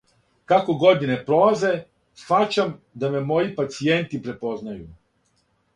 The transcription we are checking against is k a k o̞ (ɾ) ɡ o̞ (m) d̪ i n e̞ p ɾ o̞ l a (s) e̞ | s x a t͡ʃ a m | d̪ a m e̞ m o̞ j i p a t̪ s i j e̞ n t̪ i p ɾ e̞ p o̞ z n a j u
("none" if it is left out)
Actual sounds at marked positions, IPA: none, none, z

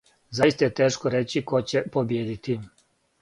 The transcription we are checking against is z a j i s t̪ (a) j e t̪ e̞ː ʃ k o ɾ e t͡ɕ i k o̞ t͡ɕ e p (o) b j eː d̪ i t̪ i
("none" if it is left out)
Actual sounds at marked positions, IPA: a, o

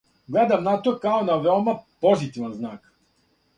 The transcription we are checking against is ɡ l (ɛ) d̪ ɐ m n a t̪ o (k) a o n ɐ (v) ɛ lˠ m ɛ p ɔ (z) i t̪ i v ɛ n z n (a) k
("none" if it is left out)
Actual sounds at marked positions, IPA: ɛ, k, v, z, a

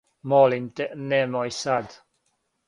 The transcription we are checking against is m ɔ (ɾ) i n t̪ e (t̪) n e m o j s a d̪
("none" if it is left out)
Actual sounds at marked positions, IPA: l, none

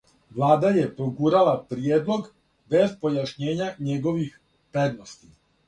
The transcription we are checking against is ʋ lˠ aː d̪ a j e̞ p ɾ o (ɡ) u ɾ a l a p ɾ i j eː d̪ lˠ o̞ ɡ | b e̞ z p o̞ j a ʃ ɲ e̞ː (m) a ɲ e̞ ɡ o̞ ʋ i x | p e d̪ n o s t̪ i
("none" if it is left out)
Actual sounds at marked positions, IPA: ɡ, ɲ

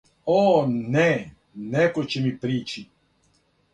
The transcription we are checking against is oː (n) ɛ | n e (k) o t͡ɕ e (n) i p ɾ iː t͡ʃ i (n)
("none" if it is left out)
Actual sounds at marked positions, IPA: n, k, m, none

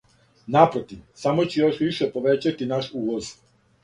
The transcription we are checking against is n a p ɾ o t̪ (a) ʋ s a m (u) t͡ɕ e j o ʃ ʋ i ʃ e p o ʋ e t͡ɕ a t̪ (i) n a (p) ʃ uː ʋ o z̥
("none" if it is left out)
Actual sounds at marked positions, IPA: i, o, i, none

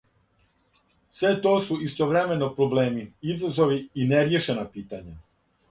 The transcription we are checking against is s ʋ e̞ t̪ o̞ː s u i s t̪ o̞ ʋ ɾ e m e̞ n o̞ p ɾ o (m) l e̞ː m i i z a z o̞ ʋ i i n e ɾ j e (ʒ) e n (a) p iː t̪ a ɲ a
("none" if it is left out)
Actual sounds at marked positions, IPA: b, ʃ, a

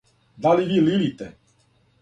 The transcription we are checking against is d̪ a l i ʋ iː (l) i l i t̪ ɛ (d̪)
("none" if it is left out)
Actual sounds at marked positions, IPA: l, none

